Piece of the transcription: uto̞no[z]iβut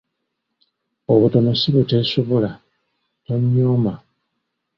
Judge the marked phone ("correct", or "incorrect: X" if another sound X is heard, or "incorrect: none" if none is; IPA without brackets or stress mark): incorrect: s